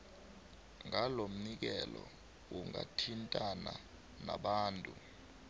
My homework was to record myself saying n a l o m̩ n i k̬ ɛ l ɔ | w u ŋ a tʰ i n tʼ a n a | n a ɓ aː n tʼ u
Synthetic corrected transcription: ŋ a l o m̩ n i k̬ ɛ l ɔ | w u ŋ a tʰ i n tʼ a n a | n a ɓ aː n tʼ u